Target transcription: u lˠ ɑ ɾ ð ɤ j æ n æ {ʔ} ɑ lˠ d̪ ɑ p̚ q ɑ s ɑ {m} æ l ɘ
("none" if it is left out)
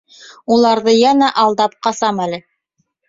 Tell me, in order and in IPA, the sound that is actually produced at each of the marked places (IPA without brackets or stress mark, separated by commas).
ʔ, m